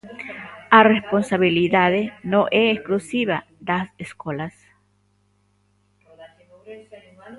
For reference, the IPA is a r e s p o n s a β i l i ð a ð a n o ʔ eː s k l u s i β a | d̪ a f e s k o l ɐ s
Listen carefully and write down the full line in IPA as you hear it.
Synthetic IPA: a r e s p o n s a β i l i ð a ð e n o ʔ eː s k l u s i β a | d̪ a s e s k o l a s

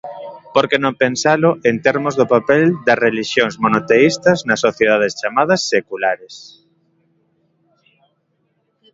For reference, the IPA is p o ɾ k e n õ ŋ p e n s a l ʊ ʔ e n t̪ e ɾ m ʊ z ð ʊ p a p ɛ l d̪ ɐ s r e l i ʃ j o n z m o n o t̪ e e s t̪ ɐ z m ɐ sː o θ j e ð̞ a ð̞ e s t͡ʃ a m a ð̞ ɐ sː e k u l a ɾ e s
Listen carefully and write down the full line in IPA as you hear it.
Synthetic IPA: p o ɾ k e n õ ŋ p e n s a l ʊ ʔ e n t̪ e ɾ m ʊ z ð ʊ p a p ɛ l d̪ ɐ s r e l i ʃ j o ŋ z m o n o t̪ e i s t̪ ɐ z n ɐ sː o θ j e ð̞ a ð̞ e s t͡ʃ a m a ð̞ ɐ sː e k u l a ɾ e s

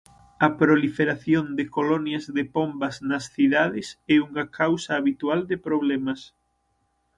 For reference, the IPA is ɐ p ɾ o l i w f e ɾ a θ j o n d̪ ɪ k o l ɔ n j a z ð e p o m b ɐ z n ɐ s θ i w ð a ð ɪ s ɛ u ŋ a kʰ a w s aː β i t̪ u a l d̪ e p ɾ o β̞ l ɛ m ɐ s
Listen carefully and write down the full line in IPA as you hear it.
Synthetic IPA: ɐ p ɾ o l i f e ɾ a θ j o n d̪ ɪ k o l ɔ n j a z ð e p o m b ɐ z n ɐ s θ i ð a ð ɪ s ɛ u ŋ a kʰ a w s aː β i t̪ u a l d̪ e p ɾ o β̞ l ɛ m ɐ s

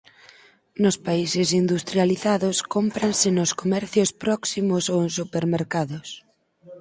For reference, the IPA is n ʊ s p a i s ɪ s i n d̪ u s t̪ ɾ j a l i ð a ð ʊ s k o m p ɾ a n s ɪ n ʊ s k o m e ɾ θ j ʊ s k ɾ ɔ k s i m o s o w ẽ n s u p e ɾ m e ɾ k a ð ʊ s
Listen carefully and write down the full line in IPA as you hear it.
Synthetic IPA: n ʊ s p a i s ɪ s i n d̪ u s t̪ ɾ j a l i θ a ð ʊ s k o m p ɾ a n s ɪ n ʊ s k o m ɛ ɾ θ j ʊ s p ɾ ɔ k s i m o s o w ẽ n s u p e ɾ m e ɾ k a ð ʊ s

